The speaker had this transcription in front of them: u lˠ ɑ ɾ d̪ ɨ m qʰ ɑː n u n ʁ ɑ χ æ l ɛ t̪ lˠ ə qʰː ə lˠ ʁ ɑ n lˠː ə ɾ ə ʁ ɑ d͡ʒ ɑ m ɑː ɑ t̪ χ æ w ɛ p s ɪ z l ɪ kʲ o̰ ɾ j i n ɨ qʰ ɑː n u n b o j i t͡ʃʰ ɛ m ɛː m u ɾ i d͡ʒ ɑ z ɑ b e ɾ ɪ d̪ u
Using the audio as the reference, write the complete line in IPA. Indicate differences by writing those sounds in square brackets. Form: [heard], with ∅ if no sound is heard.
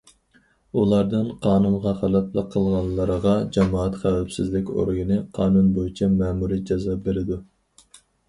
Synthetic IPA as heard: u lˠ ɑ ɾ d̪ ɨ [n] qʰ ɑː n u n ʁ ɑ χ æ l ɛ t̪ lˠ ə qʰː ə lˠ ʁ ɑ n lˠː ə ɾ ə ʁ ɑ d͡ʒ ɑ m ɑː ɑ t̪ χ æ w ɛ p s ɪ z l ɪ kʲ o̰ ɾ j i n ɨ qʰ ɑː n u n b o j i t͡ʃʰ ɛ m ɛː m u ɾ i d͡ʒ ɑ z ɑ b e ɾ ɪ d̪ u